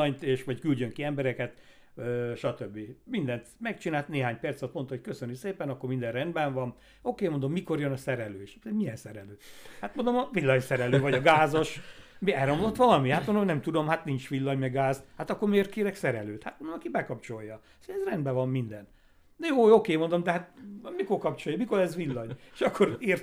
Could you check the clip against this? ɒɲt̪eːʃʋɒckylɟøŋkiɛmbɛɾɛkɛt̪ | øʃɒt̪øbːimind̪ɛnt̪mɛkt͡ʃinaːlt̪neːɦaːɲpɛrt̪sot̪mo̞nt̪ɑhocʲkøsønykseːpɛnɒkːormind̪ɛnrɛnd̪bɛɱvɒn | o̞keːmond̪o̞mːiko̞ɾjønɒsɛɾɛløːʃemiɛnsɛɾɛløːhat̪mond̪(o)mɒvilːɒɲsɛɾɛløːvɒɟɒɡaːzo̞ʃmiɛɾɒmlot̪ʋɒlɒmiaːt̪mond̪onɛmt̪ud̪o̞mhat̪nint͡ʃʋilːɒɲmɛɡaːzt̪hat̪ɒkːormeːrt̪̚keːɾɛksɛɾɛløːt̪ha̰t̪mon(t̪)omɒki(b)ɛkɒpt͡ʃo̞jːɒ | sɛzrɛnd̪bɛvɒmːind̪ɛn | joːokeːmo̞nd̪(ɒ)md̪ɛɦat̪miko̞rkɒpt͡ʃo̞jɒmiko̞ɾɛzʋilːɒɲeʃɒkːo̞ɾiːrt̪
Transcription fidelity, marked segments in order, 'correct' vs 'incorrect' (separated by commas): correct, incorrect, correct, incorrect